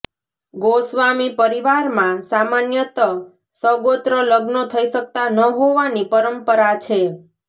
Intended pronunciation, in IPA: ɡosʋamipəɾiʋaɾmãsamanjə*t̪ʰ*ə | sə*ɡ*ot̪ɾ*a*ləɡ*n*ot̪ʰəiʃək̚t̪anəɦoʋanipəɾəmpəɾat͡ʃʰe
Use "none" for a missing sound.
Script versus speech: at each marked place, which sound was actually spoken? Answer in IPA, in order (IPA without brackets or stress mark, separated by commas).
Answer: t̪, ɡ, ə, n